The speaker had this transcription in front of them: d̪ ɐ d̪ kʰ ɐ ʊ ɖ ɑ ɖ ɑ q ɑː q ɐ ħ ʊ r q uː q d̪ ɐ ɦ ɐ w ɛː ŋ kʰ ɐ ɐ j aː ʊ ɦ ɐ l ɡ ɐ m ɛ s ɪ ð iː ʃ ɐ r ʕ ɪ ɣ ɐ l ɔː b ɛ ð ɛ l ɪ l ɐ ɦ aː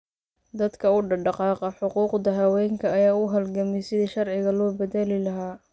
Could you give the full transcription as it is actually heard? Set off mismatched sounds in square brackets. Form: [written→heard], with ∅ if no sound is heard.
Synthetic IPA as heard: d̪ ɐ d̪ kʰ ɐ ʊ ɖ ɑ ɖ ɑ q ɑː q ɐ ħ ʊ [r→∅] q uː q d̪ ɐ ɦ ɐ w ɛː ŋ kʰ ɐ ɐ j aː ʊ ɦ ɐ l ɡ ɐ m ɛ s ɪ ð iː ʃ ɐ r ʕ ɪ ɣ ɐ l ɔː b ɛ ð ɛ l ɪ l ɐ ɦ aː